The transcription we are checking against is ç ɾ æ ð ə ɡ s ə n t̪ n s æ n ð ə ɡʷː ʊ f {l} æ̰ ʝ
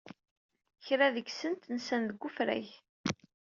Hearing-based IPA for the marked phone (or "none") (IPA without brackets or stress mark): ɾ